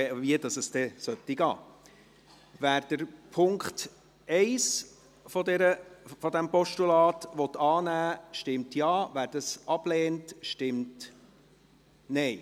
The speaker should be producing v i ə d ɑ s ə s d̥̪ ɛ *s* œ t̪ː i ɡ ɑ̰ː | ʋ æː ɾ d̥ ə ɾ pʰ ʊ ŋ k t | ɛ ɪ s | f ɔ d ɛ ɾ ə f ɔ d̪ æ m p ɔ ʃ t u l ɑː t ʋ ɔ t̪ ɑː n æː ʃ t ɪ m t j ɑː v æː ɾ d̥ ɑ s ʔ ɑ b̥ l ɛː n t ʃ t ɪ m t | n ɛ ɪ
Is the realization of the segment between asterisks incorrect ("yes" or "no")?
no